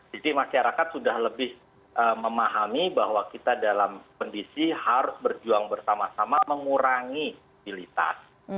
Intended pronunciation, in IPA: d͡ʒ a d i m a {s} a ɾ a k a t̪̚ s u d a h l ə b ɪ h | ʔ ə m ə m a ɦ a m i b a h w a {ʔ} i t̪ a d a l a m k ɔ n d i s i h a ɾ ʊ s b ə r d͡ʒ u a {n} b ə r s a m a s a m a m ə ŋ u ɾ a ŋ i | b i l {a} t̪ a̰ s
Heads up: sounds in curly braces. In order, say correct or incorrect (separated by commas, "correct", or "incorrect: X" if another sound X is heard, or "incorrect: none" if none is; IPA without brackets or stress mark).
incorrect: ʃ, incorrect: k, incorrect: ŋ, incorrect: i